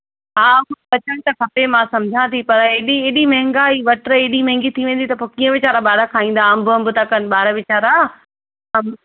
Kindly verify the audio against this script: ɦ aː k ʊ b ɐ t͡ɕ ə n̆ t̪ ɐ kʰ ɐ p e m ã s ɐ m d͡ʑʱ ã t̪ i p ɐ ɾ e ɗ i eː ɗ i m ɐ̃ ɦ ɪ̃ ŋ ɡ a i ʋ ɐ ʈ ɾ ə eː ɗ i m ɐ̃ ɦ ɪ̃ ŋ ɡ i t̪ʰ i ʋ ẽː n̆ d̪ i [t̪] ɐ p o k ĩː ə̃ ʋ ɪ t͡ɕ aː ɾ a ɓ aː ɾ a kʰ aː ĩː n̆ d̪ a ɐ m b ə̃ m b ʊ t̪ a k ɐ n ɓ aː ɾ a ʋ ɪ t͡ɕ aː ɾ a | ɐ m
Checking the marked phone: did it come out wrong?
no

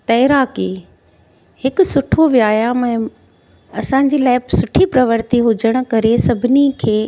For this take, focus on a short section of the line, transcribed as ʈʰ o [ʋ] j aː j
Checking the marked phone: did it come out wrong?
no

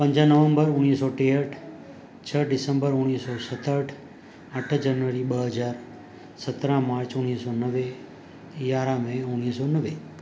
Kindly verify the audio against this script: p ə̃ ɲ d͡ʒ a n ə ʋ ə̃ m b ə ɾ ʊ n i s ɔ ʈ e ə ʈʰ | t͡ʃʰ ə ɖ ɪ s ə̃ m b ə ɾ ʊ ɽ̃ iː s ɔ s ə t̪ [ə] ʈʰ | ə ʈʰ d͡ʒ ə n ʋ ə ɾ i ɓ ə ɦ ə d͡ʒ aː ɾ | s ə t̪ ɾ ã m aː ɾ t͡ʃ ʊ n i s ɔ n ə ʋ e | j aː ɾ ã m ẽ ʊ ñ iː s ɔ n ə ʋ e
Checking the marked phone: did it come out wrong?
no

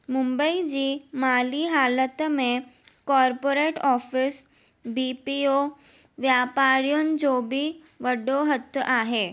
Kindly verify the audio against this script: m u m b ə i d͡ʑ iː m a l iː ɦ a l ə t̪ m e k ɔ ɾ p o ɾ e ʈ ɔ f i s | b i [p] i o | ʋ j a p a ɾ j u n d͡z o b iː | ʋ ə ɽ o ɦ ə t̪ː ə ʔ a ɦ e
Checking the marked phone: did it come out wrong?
no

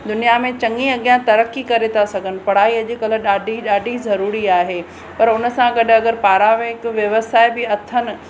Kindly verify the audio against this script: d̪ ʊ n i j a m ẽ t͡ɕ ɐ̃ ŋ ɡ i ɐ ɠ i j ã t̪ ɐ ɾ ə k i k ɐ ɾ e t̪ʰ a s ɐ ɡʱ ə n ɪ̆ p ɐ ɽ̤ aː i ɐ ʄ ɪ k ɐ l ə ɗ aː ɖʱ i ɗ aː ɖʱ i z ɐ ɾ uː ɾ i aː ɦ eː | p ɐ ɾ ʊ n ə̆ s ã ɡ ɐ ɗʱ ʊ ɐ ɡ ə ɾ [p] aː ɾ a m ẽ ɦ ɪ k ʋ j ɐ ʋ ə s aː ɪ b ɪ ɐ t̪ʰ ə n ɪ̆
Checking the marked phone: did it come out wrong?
no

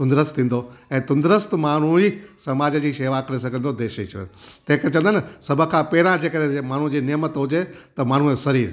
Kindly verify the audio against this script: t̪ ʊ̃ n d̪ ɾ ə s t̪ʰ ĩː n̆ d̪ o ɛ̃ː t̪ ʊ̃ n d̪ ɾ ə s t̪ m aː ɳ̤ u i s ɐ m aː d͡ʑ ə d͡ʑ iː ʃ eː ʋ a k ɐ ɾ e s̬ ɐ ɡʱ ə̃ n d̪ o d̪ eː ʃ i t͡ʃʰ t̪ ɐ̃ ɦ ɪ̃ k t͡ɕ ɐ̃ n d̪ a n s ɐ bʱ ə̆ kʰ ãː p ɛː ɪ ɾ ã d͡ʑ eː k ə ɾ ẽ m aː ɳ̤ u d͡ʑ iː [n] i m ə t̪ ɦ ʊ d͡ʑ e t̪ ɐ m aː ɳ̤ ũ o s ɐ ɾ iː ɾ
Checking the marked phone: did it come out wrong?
no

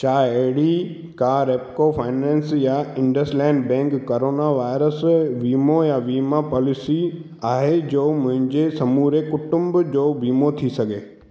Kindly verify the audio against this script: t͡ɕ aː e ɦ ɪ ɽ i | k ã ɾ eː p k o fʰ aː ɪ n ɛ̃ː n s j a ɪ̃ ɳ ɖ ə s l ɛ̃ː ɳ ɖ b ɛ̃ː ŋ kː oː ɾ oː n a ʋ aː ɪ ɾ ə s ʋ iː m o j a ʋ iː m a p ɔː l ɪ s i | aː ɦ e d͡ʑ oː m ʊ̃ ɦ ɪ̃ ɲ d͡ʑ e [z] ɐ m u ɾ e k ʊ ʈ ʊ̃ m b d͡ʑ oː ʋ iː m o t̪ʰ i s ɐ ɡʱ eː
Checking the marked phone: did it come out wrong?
yes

